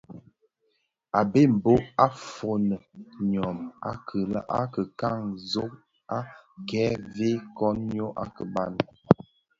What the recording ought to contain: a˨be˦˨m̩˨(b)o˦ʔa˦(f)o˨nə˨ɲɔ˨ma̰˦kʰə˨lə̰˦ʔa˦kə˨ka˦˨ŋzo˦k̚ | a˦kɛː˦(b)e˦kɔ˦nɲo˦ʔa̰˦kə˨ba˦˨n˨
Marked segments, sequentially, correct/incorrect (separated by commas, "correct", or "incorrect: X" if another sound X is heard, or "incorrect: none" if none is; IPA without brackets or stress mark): correct, correct, incorrect: v